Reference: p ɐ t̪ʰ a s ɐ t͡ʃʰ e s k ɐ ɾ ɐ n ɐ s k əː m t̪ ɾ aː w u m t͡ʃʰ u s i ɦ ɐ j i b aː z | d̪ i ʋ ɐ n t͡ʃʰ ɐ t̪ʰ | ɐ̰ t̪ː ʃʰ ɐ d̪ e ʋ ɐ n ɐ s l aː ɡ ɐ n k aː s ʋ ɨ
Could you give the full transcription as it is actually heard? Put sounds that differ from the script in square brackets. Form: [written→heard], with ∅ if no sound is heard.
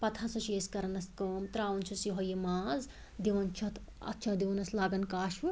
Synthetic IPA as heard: p ɐ t̪ʰ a s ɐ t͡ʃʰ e s k ɐ ɾ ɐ n ɐ s k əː m t̪ ɾ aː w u [m→n] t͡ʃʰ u s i ɦ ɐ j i [b→m] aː z | d̪ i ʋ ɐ n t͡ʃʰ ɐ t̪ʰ | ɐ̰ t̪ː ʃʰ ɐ d̪ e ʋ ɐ n ɐ s l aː ɡ ɐ n k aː [s→ʃ] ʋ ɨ